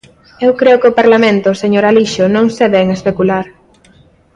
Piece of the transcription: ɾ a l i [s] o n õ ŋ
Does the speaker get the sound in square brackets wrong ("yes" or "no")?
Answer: yes